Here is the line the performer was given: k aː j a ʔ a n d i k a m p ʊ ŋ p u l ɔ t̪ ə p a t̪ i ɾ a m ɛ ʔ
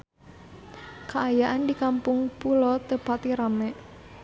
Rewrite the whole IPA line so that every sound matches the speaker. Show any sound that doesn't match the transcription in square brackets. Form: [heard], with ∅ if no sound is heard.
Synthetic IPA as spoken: k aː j a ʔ a n d i k a m p ʊ ŋ p u l ɔ t̪ ə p a t̪ i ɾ a m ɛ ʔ